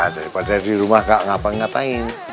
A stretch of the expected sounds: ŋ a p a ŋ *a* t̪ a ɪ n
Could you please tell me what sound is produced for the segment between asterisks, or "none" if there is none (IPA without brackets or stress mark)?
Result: a